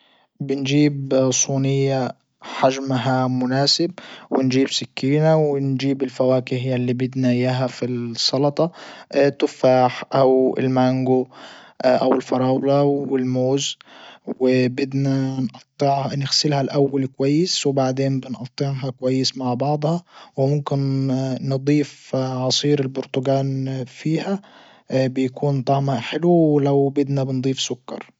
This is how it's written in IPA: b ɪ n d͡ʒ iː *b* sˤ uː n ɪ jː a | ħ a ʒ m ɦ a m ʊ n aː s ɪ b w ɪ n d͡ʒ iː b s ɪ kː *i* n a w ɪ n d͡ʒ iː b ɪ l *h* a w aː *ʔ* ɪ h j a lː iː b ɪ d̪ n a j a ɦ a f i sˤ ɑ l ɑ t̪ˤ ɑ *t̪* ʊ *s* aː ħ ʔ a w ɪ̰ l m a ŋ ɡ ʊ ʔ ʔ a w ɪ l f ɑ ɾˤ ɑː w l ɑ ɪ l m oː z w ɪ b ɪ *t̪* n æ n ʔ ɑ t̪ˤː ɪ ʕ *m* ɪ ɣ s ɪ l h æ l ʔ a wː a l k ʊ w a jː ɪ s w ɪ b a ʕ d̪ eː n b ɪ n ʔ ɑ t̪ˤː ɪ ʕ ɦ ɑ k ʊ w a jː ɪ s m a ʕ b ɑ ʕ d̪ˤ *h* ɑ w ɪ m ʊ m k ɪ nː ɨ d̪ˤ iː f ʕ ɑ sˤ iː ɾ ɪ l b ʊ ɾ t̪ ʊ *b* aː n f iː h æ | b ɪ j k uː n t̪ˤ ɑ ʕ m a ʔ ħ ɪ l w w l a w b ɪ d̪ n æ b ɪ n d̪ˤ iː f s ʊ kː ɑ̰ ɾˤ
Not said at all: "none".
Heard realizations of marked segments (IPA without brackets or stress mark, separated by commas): b, iː, f, k, t̪, f, d̪, n, h, ɡ